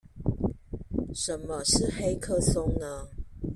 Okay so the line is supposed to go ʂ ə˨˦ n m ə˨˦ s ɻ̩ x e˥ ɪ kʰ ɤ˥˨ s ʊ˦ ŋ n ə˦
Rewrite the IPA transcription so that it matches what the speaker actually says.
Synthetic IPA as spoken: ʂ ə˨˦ n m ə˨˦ ʂ ɻ̩ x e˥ ɪ kʰ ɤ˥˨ s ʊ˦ ŋ n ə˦